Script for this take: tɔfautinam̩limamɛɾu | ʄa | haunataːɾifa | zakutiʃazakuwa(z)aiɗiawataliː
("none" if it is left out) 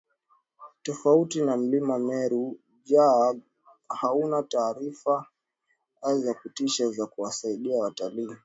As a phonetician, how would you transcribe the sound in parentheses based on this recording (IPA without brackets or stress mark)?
s